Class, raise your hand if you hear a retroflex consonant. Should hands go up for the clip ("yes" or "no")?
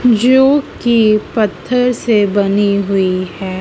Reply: no